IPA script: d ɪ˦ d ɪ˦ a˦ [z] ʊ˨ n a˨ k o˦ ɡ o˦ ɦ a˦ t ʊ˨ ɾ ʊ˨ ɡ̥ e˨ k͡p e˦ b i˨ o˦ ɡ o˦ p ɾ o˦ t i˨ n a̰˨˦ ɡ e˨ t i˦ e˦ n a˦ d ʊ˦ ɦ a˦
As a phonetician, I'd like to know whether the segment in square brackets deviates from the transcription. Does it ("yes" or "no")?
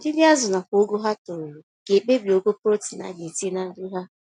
no